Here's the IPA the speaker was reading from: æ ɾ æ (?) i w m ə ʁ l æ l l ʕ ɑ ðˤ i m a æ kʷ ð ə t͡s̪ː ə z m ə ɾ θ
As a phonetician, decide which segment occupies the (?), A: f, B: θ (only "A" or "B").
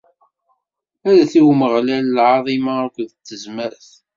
B